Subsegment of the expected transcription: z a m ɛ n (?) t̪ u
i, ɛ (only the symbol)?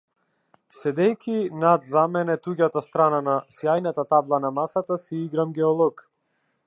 ɛ